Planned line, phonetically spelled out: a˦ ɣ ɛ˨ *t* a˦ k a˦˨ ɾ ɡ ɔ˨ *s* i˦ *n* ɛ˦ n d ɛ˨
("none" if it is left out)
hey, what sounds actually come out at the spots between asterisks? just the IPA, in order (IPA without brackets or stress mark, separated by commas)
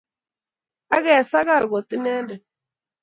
s, t, n